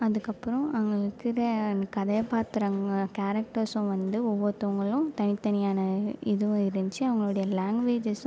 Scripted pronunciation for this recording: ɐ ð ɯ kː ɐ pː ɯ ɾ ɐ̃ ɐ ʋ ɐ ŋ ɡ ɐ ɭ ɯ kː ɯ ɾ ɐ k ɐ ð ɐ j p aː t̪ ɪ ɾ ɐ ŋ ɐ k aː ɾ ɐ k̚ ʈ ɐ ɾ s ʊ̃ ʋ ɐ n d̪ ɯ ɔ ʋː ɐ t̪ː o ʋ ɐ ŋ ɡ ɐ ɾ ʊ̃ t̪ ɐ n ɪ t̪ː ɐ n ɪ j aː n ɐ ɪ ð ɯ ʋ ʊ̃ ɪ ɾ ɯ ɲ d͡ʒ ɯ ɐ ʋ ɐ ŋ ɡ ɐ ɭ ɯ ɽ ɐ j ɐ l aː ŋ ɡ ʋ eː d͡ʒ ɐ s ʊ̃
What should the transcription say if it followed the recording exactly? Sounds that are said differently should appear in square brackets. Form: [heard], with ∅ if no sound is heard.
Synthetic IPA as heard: ɐ ð ɯ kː ɐ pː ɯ ɾ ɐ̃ ɐ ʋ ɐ ŋ ɡ ɐ ɭ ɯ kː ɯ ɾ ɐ k ɐ ð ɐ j p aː t̪ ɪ ɾ ɐ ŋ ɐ k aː ɾ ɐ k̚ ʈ ɐ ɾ s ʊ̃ ʋ ɐ n d̪ ɯ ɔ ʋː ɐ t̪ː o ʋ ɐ ŋ ɡ ɐ [ɭ] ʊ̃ t̪ ɐ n ɪ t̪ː ɐ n ɪ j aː n ɐ ɪ ð ɯ ʋ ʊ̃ ɪ ɾ ɯ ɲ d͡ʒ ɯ ɐ ʋ ɐ ŋ ɡ ɐ ɭ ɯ ɽ ɐ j ɐ l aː ŋ ɡ ʋ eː d͡ʒ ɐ s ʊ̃